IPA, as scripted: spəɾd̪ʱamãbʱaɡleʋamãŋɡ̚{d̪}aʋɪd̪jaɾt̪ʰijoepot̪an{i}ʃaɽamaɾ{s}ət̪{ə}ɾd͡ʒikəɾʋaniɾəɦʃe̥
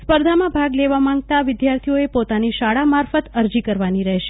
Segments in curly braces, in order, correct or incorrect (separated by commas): incorrect, correct, incorrect, correct